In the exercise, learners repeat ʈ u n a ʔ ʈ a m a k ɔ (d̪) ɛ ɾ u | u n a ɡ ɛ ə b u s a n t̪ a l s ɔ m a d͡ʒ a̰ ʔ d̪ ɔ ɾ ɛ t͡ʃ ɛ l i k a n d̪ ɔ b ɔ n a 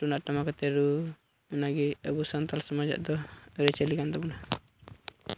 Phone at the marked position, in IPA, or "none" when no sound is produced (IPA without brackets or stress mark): t̪